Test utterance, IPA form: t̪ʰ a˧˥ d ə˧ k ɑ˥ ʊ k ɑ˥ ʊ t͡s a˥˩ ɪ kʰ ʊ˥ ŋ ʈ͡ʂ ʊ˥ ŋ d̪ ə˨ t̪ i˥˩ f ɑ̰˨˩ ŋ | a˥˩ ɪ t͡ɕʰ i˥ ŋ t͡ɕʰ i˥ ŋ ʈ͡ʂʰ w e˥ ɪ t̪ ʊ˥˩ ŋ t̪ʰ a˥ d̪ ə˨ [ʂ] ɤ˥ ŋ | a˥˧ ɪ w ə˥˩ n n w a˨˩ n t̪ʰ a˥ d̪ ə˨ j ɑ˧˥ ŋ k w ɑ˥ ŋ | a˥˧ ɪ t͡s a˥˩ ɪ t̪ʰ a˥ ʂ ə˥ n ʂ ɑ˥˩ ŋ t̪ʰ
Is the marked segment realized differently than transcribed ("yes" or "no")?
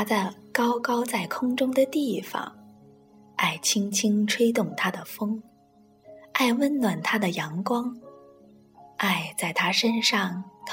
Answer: yes